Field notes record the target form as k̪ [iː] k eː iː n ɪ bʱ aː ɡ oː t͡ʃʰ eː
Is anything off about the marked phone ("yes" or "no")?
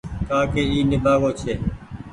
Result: yes